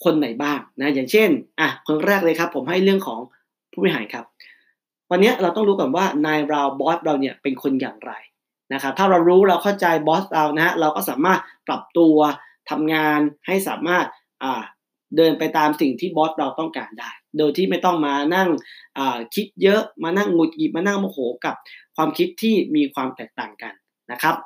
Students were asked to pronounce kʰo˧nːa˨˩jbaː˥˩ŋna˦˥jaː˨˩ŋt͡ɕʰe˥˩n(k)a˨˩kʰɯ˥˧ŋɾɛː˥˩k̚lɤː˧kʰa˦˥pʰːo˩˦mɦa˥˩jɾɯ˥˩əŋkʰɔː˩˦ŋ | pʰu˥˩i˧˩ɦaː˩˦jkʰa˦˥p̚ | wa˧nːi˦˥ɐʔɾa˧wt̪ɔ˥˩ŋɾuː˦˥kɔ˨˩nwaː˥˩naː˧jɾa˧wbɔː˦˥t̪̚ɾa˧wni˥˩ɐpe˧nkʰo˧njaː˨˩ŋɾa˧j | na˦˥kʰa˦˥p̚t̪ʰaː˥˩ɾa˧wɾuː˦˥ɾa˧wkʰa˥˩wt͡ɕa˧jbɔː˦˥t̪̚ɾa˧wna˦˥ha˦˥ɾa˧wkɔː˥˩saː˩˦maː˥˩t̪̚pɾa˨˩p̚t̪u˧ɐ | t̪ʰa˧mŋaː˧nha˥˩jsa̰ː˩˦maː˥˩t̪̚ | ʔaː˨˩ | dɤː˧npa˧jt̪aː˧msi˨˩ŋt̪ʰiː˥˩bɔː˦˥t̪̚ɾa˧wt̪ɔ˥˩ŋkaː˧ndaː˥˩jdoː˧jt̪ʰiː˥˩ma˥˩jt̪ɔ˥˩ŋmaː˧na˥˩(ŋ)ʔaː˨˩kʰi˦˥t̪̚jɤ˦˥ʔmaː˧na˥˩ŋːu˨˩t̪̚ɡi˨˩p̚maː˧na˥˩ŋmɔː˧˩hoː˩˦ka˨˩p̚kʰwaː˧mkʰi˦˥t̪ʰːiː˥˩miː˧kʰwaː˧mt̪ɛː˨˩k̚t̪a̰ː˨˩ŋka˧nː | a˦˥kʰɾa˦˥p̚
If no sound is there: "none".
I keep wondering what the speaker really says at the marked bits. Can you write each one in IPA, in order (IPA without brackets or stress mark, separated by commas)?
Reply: ʔ, ŋ